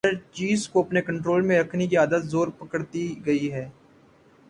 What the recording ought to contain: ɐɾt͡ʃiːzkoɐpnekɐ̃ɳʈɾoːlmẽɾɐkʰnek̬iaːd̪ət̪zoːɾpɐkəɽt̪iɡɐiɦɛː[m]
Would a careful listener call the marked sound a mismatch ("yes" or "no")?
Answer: yes